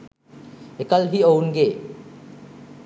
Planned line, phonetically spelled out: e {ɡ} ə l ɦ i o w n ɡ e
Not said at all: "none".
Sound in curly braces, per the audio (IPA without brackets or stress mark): k